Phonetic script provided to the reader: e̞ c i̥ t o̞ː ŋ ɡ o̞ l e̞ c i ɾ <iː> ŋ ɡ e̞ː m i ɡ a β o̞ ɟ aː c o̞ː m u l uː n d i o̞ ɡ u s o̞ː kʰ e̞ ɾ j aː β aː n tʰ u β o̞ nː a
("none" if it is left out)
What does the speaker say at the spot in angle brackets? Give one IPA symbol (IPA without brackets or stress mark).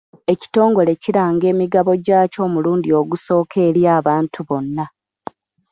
aː